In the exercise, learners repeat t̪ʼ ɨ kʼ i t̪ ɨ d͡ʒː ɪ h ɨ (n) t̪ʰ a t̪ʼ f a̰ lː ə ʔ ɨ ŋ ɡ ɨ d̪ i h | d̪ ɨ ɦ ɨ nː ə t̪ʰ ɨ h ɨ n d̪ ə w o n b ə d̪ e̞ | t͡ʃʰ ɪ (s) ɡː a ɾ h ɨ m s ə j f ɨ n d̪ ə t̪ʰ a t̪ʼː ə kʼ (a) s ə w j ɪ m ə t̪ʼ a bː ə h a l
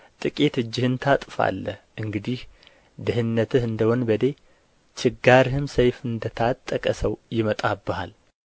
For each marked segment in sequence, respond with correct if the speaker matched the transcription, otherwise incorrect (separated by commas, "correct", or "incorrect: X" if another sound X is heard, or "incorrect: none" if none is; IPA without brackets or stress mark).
correct, incorrect: none, incorrect: ə